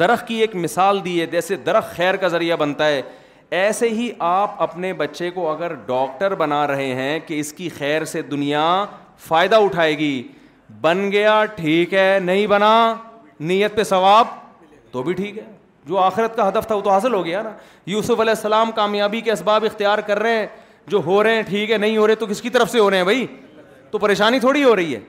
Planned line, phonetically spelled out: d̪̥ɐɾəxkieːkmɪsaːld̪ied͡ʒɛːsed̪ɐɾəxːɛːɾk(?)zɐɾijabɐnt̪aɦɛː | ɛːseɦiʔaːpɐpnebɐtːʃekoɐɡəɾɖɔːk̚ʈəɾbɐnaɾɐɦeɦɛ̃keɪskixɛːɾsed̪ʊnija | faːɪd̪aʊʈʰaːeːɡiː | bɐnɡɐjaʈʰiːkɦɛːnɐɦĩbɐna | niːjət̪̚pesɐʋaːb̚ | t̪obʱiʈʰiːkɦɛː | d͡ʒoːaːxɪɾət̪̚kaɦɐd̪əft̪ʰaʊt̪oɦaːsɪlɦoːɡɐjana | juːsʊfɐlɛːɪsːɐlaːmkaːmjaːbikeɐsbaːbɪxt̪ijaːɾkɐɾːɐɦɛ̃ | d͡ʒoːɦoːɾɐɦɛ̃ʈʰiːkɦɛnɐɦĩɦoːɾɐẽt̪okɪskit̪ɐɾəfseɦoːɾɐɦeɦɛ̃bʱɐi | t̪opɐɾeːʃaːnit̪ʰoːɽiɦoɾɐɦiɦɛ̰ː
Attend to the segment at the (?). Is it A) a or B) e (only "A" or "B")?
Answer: A